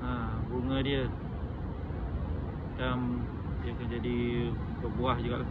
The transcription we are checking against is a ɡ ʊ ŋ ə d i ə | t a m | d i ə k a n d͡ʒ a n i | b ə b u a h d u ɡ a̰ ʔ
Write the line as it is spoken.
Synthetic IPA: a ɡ u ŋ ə d i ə | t a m | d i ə k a n d͡ʒ a d i | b ə b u a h d͡ʒ u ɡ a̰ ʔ